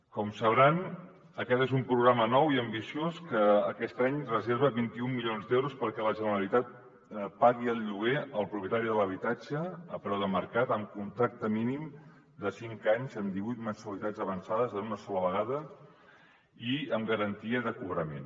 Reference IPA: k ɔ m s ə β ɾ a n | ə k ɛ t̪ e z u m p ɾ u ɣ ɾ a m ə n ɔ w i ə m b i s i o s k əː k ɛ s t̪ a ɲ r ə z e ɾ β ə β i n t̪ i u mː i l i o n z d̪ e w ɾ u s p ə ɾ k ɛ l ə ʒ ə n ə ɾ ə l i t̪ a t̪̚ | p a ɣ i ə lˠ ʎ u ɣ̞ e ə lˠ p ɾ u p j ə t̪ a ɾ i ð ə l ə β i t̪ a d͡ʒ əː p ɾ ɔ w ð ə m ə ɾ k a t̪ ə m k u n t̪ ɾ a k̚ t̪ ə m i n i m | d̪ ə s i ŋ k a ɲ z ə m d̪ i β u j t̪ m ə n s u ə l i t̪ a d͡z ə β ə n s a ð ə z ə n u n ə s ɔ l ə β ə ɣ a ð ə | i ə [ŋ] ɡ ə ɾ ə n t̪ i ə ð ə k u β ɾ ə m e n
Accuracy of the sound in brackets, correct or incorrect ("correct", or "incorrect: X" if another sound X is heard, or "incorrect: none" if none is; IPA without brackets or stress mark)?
incorrect: m